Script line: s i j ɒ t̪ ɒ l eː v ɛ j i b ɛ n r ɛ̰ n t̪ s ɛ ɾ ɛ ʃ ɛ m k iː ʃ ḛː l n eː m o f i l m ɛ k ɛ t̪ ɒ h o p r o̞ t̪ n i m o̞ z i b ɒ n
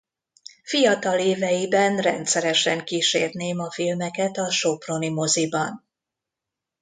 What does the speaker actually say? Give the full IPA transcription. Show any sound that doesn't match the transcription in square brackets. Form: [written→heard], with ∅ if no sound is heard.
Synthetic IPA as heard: [s→f] i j ɒ t̪ ɒ l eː v ɛ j i b ɛ n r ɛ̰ n t̪ s ɛ ɾ ɛ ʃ ɛ [m→ŋ] k iː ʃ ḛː [l→r] n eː m [o→ɒ] f i l m ɛ k ɛ t̪ ɒ [h→ʃ] o p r o̞ [t̪→∅] n i m o̞ z i b ɒ n